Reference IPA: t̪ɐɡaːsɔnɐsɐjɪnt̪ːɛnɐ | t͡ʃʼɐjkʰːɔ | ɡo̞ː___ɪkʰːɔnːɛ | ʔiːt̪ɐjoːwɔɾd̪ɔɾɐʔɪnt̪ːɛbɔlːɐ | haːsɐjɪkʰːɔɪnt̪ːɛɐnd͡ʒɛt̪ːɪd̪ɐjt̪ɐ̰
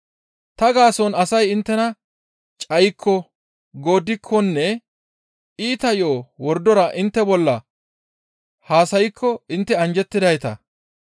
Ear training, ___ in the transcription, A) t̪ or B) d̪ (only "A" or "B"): B